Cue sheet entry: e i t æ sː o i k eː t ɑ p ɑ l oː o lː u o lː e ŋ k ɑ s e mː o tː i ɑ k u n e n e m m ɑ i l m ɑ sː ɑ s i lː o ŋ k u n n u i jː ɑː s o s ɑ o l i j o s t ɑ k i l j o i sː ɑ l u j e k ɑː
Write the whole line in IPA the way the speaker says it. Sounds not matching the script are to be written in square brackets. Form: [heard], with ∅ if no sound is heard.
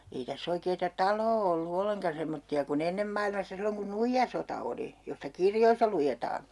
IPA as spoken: e i t æ sː o i k eː t ɑ [t] ɑ l oː o lː u o lː e ŋ k ɑ s e mː o tː i ɑ k u n e [nː] e m m ɑ i l m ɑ sː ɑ s i lː o ŋ k u n n u i jː [ɑ] s o [t] ɑ o l i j o s t ɑ k i [r] j o i sː ɑ l u j e [t] ɑː